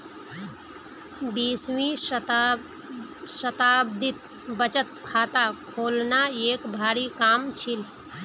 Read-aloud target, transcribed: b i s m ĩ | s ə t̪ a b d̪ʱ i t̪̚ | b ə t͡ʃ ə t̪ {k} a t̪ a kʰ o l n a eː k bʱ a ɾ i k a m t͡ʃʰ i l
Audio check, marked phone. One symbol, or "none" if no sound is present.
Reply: kʰ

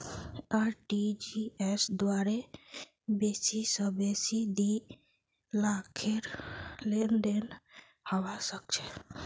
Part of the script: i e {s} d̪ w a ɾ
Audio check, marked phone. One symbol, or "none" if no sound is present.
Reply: s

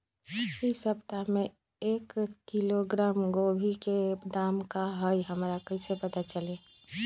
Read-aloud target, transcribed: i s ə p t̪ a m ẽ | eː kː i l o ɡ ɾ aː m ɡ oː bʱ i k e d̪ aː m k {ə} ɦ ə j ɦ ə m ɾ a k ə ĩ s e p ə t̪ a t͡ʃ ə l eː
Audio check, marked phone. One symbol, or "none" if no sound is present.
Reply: a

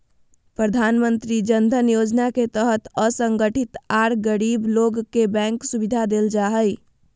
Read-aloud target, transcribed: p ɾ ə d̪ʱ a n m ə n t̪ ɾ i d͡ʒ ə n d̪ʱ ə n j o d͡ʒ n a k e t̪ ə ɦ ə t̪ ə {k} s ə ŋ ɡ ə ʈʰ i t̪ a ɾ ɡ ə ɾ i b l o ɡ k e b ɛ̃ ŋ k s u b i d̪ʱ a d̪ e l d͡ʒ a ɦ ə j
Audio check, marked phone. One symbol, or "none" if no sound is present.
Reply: none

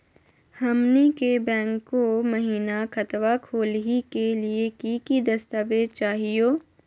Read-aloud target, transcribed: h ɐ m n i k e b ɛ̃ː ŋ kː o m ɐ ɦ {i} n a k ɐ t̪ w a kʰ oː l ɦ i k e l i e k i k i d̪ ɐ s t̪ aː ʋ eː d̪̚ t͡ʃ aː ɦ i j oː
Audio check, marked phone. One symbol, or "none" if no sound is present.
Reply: iː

